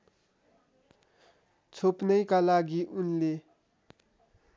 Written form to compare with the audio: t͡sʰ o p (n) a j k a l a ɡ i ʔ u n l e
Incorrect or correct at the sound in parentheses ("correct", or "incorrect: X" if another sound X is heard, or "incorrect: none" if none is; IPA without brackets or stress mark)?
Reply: correct